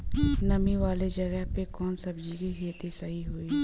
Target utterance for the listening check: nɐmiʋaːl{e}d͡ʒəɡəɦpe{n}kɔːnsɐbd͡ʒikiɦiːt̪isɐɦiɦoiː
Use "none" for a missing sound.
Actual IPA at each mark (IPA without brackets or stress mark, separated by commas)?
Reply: e, none